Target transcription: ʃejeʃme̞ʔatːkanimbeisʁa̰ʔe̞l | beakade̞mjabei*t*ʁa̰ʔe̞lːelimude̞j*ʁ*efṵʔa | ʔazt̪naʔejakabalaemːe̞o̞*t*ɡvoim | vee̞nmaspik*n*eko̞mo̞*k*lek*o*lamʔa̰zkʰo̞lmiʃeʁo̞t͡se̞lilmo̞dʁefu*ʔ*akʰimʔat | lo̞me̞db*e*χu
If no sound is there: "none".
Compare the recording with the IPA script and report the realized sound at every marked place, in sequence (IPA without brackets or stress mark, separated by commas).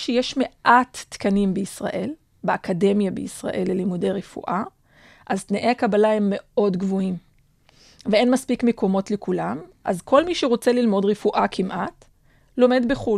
s, ʁ, d, m, t, u, ʔ, e